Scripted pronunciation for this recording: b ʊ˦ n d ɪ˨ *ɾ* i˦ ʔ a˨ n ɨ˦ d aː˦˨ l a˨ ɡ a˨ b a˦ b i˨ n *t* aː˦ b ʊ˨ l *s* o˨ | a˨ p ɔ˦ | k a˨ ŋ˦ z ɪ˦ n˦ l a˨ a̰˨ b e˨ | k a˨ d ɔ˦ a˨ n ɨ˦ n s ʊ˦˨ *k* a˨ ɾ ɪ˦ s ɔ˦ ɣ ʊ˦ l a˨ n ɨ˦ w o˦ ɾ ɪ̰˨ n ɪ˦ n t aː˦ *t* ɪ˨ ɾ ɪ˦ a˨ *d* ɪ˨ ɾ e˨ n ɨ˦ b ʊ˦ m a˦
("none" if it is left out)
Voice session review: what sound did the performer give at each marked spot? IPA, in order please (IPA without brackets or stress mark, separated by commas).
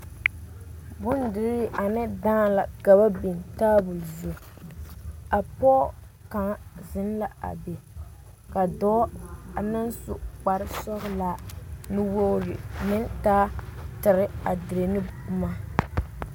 ɾ, t, z, k͡p, t, d